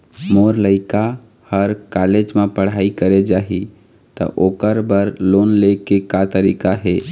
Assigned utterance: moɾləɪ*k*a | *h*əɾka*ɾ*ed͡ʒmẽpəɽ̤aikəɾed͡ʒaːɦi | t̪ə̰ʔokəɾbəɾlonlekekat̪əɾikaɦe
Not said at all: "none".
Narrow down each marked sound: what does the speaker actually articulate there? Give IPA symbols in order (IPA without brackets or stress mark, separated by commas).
k, h, l